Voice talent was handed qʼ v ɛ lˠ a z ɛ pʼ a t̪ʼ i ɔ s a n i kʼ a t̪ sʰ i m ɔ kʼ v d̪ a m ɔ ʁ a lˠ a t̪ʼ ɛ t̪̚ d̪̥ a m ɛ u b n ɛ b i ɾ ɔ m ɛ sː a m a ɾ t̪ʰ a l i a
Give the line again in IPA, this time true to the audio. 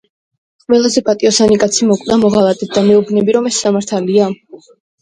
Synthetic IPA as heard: qʼ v ɛ lˠ a z ɛ pʼ a t̪ʼ i ɔ s a n i kʼ a t̪ sʰ i m ɔ kʼ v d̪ a m ɔ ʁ a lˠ a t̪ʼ ɛ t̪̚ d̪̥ a m ɛ u b n ɛ b i ɾ ɔ m ɛ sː a m a ɾ t̪ʰ a l i a